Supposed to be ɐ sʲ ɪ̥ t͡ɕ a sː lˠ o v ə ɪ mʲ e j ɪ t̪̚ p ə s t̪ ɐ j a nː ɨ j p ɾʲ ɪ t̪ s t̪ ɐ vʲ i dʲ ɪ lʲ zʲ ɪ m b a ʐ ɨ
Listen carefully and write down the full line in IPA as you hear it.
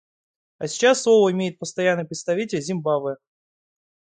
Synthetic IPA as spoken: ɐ sʲ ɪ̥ t͡ɕ a sː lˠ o v ə ɪ mʲ e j ɪ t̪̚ p ə s t̪ ɐ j a nː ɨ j p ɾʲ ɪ t̪ s t̪ ɐ vʲ i tʲ ɪ lʲ zʲ ɪ m b a v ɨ